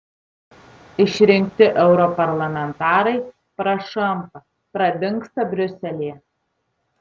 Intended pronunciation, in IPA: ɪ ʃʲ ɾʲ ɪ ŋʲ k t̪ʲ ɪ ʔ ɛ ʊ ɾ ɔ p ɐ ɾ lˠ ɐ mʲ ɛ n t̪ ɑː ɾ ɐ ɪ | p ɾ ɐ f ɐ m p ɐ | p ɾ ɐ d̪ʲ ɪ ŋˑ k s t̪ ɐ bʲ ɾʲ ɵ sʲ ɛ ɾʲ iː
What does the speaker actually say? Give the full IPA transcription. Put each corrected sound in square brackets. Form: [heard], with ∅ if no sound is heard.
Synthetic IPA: ɪ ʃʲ ɾʲ ɪ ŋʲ k t̪ʲ ɪ ʔ ɛ ʊ ɾ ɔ p ɐ ɾ lˠ ɐ mʲ ɛ n t̪ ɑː ɾ ɐ ɪ | p ɾ ɐ [ʃ] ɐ m p ɐ | p ɾ ɐ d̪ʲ ɪ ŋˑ k s t̪ ɐ bʲ ɾʲ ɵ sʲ ɛ [lʲ] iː